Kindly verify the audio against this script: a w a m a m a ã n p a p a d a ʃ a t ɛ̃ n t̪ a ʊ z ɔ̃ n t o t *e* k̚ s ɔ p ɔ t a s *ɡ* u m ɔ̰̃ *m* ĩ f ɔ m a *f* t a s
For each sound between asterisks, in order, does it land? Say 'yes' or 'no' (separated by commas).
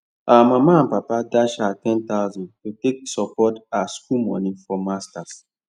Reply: yes, no, no, no